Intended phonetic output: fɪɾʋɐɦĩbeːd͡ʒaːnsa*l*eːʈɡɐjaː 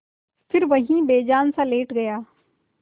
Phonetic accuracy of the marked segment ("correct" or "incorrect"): correct